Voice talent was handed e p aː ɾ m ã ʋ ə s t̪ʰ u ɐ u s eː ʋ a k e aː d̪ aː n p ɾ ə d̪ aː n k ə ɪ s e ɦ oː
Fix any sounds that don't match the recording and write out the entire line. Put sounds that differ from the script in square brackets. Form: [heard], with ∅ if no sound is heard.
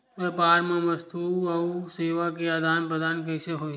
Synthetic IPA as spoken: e p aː ɾ m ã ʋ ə s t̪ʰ u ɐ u s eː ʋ a k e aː d̪ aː n p ɾ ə d̪ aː n k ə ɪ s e ɦ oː